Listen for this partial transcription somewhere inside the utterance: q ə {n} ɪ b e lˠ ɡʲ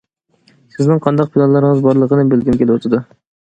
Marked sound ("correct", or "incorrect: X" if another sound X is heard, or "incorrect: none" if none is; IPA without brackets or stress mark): correct